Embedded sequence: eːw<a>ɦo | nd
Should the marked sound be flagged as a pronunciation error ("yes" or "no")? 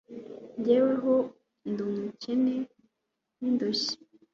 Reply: yes